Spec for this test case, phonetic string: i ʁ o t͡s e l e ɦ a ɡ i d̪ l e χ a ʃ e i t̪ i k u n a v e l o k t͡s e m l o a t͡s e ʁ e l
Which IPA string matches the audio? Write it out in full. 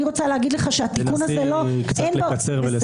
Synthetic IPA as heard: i ʁ o t͡s a l e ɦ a ɡ i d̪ l e χ a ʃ e a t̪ i k u n a z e l o k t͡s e n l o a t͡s e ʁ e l